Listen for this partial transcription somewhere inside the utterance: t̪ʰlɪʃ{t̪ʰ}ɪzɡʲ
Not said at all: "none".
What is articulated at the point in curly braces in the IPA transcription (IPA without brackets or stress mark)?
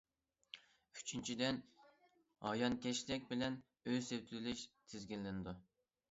t̪ʰ